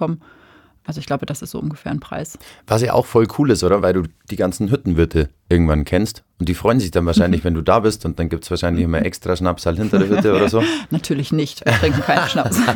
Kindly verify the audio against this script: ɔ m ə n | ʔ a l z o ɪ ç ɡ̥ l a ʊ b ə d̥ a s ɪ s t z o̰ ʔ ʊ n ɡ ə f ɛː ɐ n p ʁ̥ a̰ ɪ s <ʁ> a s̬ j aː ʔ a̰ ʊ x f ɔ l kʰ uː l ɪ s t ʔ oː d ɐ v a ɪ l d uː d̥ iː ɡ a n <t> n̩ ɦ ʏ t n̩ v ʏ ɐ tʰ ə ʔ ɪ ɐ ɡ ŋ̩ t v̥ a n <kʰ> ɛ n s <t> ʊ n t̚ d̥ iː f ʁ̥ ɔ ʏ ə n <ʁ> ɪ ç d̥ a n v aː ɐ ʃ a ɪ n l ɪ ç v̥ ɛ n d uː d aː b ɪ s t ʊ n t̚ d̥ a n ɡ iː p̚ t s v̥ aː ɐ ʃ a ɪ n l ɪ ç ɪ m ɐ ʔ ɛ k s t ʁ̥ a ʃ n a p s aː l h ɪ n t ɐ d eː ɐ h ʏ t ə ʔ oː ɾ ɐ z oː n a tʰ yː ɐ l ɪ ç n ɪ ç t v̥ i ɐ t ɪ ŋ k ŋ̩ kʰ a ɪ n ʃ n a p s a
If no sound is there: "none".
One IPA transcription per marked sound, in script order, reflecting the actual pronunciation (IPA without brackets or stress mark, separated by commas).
v, t͡s, kʰ, t, z